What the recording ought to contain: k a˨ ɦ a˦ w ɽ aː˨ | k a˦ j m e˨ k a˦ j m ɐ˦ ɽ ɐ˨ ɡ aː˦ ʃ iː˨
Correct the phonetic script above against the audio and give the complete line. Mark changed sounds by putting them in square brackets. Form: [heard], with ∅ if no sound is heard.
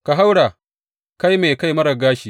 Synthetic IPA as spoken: k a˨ ɦ a˦ w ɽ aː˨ | k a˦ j m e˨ k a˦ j m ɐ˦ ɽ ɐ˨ ɡ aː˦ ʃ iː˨